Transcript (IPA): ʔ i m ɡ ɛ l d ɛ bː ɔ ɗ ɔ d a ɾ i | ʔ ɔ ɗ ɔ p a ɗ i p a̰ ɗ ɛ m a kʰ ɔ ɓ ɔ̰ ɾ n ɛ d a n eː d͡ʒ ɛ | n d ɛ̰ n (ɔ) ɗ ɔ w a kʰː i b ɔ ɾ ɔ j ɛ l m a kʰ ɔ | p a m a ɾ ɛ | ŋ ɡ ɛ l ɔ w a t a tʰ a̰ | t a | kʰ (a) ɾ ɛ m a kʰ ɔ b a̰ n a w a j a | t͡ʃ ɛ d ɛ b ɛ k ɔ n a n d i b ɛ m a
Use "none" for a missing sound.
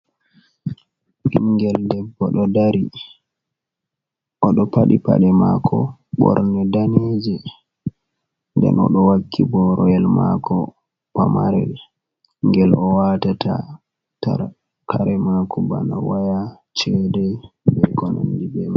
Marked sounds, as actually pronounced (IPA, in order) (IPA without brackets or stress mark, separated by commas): ɔ, a